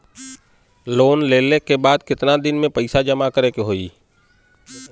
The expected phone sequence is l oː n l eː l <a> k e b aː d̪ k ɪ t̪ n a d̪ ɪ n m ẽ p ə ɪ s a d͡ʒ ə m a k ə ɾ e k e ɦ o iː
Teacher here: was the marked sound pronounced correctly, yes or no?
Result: no